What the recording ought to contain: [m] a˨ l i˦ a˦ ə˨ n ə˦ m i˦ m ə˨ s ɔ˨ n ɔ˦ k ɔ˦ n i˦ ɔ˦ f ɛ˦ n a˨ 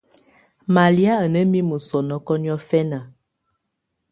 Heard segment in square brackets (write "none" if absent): m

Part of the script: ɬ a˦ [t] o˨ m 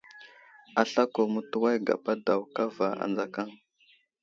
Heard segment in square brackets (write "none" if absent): k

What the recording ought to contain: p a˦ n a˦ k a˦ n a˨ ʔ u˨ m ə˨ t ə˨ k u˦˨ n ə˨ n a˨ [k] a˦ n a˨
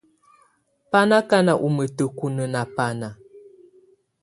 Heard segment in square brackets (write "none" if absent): p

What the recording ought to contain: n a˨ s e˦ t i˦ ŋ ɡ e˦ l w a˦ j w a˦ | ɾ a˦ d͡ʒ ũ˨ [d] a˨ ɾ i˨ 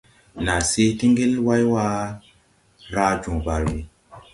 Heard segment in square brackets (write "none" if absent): b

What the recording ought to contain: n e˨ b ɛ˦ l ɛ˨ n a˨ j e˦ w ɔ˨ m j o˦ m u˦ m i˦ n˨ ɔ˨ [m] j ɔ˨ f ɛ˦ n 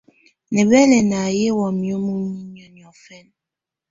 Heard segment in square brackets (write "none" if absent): n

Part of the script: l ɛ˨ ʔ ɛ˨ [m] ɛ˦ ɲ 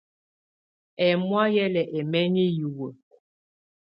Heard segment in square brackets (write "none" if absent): m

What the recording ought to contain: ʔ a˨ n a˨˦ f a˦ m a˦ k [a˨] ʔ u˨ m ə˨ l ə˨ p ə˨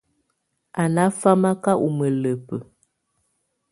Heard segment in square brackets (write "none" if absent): a˦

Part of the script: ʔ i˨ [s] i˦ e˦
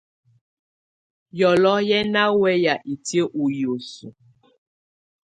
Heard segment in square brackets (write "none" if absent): t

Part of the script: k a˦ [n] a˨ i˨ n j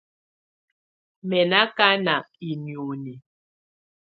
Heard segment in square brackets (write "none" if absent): n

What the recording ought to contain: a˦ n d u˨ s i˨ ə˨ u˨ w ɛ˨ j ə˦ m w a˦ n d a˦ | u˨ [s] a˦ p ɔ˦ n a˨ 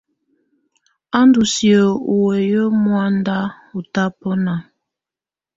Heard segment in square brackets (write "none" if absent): t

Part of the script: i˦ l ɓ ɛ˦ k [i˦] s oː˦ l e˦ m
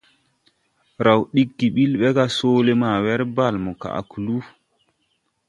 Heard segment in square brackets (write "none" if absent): a˦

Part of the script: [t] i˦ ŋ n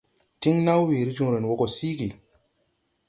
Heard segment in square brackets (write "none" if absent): t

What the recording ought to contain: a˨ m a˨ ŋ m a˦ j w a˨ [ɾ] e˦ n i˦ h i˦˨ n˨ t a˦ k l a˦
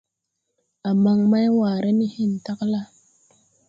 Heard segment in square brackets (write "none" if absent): ɾ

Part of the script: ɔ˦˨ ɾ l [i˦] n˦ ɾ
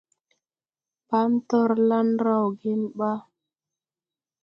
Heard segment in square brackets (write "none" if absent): a˦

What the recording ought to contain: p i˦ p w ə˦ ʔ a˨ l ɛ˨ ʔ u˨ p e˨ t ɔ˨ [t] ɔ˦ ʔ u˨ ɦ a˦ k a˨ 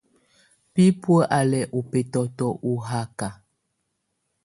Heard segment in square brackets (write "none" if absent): t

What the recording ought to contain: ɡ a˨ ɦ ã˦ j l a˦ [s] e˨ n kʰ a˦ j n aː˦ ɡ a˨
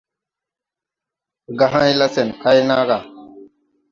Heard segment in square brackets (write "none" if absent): s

